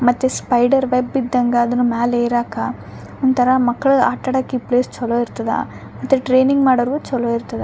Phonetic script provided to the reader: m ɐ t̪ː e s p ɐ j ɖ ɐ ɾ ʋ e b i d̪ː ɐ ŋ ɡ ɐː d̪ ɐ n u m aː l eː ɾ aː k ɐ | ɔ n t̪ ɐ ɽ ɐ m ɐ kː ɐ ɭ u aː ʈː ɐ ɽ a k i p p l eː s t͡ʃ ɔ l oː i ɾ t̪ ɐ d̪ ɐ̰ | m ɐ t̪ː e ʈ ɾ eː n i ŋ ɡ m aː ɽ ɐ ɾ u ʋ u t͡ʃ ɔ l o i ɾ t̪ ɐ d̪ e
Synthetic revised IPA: m ɐ t̪ː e s p ɐ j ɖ ɐ ɾ ʋ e b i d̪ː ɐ ŋ ɡ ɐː d̪ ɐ n u m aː l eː ɾ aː k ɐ | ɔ n t̪ ɐ ɾ ɐ m ɐ kː ɐ ɭ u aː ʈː ɐ ɽ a k i p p l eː s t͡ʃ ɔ l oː i ɾ t̪ ɐ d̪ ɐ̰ | m ɐ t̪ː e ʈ ɾ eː n i ŋ ɡ m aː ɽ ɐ ɾ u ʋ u t͡ʃ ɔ l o i ɾ t̪ ɐ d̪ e